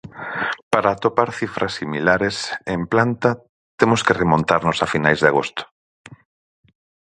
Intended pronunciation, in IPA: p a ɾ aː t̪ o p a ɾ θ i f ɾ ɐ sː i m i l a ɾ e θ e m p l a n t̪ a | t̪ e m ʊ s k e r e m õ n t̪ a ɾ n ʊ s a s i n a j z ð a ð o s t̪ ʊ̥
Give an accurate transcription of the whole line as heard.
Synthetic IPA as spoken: p a ɾ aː t̪ o p a ɾ θ i f ɾ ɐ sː i m i l a ɾ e s e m p l a n t̪ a | t̪ e m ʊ s k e r e m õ n t̪ a ɾ n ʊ s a f i n a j z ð a ɣ o s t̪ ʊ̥